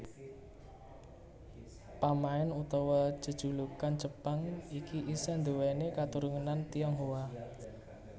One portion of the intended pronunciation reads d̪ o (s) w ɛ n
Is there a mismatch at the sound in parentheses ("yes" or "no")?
yes